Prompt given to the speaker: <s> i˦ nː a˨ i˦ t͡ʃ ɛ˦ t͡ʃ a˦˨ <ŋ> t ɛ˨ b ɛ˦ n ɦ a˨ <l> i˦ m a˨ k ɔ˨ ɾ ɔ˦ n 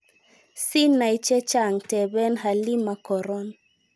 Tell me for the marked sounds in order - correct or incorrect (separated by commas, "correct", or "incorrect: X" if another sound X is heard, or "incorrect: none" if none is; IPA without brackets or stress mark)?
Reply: correct, correct, correct